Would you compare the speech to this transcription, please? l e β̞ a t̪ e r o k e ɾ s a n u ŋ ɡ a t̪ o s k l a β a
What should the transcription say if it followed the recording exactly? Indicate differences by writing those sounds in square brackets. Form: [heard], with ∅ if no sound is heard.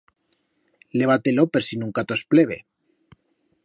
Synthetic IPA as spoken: l e β̞ a t̪ e [l] o [p] e ɾ s [i] n u ŋ [k] a t̪ o s [p] l [e] β [e]